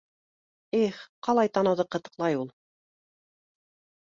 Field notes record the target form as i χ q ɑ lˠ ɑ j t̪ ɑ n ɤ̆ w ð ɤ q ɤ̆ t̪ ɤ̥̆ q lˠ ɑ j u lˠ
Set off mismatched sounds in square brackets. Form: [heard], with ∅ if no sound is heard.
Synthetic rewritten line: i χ q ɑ lˠ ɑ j t̪ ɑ n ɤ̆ w ð ɤ q ɤ̆ t̪ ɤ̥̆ q lˠ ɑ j u lˠ